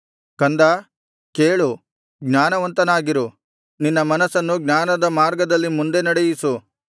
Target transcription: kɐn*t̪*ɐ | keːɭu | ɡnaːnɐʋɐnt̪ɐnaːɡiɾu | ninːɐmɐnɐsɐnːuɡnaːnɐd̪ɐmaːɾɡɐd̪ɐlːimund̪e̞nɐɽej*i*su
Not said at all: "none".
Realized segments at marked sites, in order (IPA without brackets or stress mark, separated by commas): d̪, i